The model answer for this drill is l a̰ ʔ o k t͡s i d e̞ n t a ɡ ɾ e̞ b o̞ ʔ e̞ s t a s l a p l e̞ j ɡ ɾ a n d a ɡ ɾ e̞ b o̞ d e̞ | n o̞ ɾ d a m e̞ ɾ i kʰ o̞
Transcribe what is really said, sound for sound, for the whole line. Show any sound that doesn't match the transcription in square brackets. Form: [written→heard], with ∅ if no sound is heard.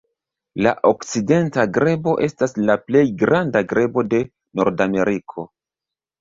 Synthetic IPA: l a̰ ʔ o k t͡s i d e̞ n t a ɡ ɾ e̞ b o̞ ʔ e̞ s t a s l a p l e̞ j ɡ ɾ a n d a ɡ ɾ e̞ b o̞ d e̞ | n o̞ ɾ d a m e̞ ɾ i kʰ o̞